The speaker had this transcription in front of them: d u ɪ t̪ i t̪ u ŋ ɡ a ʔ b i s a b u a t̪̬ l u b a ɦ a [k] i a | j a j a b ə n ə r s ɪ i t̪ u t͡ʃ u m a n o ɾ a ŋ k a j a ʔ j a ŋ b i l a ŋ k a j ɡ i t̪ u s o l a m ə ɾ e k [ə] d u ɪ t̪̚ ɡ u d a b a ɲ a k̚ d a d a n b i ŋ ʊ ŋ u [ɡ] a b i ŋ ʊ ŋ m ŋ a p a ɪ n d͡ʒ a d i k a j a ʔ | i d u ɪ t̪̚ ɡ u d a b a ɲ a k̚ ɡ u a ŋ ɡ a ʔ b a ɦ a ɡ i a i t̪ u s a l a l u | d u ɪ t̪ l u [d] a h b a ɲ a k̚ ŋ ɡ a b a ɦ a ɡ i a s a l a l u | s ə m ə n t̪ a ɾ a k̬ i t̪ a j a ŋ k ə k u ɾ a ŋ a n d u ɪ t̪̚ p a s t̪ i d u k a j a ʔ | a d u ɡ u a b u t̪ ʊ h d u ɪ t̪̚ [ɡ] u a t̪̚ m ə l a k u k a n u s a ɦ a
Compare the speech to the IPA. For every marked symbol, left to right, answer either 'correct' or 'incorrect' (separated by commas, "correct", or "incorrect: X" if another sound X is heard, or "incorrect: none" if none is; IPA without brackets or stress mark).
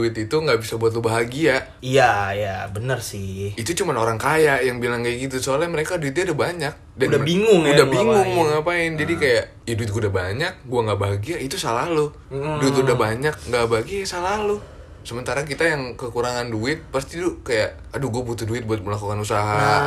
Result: incorrect: ɡ, incorrect: a, incorrect: d, correct, incorrect: b